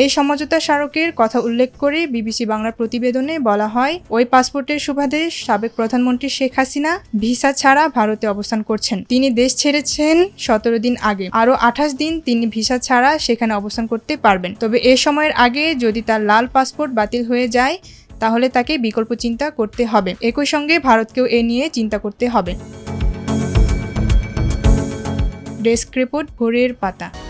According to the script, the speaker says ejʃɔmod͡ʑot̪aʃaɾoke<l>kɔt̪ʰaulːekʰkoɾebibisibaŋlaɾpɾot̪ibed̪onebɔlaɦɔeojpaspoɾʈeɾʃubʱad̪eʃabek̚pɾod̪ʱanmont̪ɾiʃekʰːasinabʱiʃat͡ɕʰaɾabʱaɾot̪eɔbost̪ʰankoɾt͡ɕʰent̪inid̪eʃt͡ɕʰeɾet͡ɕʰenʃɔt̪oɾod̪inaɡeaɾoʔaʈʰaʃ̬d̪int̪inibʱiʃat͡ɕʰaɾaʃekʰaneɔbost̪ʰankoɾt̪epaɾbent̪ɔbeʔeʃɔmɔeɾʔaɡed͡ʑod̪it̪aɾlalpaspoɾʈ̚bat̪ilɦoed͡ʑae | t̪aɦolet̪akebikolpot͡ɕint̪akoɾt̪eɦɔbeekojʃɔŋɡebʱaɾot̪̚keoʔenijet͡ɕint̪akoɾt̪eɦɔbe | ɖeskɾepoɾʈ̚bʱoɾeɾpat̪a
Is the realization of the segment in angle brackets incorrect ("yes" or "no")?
yes